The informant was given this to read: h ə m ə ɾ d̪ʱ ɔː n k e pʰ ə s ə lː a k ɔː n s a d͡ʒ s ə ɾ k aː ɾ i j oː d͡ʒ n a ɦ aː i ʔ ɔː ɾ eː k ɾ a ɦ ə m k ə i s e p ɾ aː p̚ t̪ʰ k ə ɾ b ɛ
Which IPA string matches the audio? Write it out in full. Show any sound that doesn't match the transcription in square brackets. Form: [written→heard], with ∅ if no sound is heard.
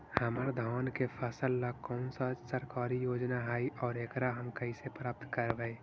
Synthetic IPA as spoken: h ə m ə ɾ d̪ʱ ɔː n k e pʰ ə s ə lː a k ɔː n s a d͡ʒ s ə ɾ k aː ɾ i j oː d͡ʒ n a ɦ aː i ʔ ɔː ɾ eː k ɾ a ɦ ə m k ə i s e p ɾ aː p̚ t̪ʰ k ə ɾ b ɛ